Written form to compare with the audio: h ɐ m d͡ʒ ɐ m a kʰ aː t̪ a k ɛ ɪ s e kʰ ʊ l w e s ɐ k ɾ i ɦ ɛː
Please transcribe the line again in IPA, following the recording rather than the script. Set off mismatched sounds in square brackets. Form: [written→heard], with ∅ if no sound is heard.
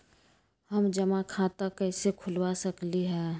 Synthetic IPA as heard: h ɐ m d͡ʒ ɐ m a kʰ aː t̪ a k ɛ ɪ s e kʰ ʊ l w [e→a] s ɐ k [ɾ→l] i ɦ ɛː